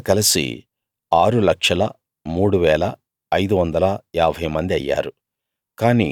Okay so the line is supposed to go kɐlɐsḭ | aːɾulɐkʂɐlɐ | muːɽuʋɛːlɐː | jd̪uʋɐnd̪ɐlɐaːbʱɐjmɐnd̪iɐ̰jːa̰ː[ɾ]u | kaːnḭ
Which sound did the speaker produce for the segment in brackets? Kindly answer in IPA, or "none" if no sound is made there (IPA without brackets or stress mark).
ɾ